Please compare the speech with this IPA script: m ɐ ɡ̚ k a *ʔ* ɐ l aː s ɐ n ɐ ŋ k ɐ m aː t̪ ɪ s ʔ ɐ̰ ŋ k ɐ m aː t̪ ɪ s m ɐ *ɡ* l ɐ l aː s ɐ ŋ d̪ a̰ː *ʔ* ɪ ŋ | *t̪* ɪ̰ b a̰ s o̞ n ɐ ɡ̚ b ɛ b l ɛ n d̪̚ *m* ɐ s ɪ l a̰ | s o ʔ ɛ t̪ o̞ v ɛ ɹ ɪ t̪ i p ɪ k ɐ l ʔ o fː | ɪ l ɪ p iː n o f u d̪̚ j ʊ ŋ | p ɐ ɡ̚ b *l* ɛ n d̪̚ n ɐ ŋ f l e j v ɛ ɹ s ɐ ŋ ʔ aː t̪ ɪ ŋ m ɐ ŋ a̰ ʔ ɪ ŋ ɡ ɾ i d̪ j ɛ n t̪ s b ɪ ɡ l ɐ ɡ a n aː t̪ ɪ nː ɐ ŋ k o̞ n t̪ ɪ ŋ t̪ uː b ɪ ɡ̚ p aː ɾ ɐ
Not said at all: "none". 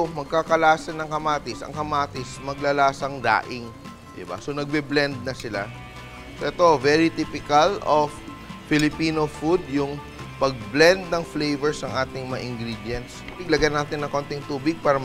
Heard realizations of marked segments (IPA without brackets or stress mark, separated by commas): k, ɡ, ʔ, d̪, n, l